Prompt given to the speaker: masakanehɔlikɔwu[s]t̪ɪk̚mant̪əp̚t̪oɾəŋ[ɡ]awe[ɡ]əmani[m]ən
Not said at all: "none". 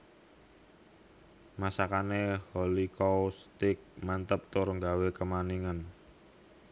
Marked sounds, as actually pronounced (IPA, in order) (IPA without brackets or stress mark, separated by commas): s, ɡ, k, ŋ